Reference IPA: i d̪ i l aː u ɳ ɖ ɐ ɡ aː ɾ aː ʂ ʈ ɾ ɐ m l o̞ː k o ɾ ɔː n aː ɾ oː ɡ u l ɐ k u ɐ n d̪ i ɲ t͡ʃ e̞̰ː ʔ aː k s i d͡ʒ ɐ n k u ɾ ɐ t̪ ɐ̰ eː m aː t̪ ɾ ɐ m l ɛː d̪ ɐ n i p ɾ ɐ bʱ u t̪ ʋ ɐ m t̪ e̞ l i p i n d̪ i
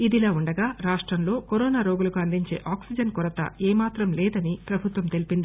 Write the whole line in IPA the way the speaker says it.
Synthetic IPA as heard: i d̪ i l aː u ɳ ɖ ɐ ɡ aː ɾ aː ʂ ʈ ɾ ɐ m l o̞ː k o ɾ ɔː n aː ɾ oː ɡ u l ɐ k u ɐ n d̪ i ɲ t͡ʃ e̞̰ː ʔ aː k s i d͡ʒ ɐ n k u ɾ ɐ t̪ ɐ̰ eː m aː t̪ ɾ ɐ m l ɛː d̪ ɐ n i p ɾ ɐ bʱ u t̪ ʋ ɐ m t̪ e̞ l i p i n d̪ i